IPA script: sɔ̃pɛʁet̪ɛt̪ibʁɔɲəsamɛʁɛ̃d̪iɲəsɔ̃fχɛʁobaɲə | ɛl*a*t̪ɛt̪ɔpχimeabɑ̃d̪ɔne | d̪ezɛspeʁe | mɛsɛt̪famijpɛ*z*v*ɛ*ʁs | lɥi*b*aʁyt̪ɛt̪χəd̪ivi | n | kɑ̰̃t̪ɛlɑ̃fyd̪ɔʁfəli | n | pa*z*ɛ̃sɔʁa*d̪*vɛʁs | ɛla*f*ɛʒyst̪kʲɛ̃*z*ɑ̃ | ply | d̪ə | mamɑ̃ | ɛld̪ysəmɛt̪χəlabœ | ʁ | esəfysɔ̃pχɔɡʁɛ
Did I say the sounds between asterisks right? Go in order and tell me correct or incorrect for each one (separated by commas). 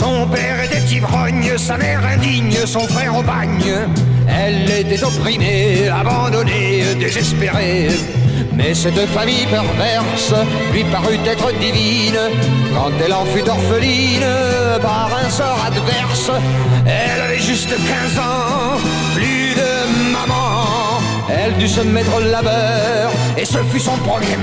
incorrect, incorrect, correct, incorrect, incorrect, correct, incorrect, correct